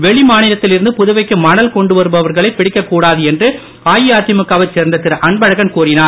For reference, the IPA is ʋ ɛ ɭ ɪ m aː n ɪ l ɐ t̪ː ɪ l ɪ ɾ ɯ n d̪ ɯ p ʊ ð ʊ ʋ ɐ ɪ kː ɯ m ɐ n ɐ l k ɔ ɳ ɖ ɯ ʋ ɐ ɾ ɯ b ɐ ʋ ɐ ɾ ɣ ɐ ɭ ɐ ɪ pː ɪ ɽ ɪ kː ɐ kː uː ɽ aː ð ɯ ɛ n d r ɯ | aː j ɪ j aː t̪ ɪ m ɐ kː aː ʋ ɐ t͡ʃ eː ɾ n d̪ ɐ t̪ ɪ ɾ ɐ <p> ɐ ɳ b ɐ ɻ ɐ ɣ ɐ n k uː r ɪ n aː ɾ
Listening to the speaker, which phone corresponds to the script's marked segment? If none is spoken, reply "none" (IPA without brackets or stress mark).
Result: ʔ